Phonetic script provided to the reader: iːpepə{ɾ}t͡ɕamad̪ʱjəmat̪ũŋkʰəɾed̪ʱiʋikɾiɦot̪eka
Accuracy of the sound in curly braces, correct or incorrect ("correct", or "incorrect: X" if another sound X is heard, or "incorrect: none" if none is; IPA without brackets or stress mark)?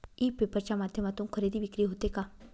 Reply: correct